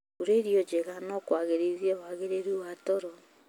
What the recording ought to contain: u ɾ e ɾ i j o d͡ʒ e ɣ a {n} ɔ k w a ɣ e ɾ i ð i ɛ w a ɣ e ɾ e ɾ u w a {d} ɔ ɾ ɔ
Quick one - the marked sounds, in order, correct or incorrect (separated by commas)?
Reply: correct, incorrect